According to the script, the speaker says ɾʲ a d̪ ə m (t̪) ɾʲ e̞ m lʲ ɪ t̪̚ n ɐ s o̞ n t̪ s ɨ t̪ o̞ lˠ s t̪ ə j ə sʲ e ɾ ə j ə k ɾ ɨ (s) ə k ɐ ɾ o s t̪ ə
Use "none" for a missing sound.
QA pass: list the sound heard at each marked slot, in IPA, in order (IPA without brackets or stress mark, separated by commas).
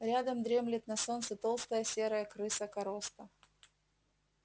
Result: d̪, s